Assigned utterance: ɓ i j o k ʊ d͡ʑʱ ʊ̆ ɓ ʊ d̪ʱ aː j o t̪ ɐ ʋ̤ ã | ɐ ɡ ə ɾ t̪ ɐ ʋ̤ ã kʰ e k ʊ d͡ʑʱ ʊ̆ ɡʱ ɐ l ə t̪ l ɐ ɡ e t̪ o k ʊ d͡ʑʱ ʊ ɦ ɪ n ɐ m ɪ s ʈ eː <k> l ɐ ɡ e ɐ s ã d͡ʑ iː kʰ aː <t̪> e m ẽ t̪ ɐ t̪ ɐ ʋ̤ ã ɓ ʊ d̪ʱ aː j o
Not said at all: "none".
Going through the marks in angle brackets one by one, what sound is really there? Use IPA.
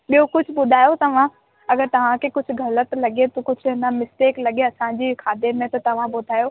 k, d̪

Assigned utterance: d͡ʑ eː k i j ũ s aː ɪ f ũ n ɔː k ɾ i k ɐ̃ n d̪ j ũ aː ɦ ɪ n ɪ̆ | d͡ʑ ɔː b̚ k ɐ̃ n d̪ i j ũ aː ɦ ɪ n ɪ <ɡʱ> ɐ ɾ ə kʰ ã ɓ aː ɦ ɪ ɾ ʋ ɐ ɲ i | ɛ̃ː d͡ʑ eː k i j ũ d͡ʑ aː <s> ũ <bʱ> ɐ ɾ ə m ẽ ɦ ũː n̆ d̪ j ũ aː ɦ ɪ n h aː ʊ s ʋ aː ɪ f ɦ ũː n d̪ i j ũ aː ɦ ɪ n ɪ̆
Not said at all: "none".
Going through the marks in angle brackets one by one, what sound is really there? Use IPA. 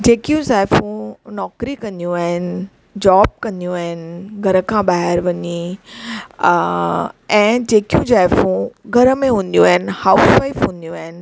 ɡʱ, f, ɡʱ

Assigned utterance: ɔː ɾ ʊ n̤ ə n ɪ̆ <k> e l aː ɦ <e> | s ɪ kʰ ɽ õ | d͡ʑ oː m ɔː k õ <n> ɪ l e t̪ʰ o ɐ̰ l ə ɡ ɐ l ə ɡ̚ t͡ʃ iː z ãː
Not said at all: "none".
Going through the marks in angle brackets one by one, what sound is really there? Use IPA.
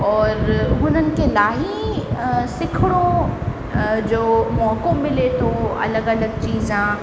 k, i, m

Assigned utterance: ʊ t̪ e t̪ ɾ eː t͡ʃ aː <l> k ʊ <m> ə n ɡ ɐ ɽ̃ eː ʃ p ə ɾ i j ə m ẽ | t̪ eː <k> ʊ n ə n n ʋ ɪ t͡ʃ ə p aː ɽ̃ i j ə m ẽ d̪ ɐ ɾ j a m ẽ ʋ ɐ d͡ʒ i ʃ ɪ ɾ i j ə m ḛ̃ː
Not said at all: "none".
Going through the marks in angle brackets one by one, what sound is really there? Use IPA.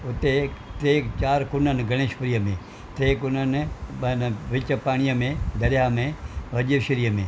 ɾ, n, k

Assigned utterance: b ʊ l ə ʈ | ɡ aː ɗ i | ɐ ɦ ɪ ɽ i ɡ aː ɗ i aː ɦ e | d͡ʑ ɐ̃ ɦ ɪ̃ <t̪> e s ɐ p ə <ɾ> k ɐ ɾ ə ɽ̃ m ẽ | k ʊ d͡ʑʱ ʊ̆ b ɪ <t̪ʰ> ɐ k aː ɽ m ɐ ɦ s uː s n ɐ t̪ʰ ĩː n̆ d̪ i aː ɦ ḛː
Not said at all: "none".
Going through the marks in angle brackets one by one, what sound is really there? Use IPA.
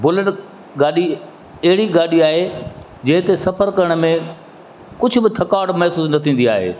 t̪, ɾ, t̪ʰ

